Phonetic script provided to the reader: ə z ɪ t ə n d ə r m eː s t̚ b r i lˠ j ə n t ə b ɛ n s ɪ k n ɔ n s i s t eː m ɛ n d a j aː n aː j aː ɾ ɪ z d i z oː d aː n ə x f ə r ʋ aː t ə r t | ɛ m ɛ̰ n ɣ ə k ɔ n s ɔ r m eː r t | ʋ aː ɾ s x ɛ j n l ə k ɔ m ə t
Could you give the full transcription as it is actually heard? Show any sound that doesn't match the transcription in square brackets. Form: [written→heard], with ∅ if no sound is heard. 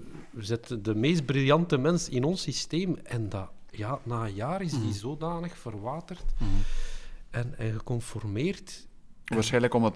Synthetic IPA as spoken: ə z ɪ t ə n d ə [r→∅] m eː s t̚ b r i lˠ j [ə→ɑ] n t ə [b→m] ɛ n s ɪ [k→∅] n ɔ n s i s t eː m ɛ n d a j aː n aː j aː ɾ ɪ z d i z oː d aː n ə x f ə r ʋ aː t ə r t | ɛ [m→n] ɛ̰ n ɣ ə k ɔ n [s→f] ɔ r m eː r t | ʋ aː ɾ s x ɛ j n l ə k ɔ m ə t